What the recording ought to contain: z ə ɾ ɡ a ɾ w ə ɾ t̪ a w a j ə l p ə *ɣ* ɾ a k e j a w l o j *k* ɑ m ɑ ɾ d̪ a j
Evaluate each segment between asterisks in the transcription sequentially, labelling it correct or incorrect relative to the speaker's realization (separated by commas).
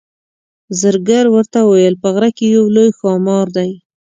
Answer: correct, incorrect